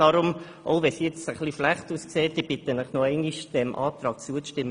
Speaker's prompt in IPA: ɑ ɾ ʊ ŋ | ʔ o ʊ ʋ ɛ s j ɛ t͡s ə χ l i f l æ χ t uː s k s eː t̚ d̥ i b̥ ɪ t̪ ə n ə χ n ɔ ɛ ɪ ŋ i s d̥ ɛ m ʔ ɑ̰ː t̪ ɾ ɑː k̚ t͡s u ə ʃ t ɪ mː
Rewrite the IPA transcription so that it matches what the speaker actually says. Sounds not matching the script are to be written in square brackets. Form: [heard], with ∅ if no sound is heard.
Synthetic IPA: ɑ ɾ ʊ [m] | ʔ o ʊ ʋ ɛ s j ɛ t͡s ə χ l i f l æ χ t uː s k s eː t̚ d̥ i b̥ ɪ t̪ ə n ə χ n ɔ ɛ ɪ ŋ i [ʃ] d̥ ɛ m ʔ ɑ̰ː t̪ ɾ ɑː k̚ t͡s u ə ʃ t ɪ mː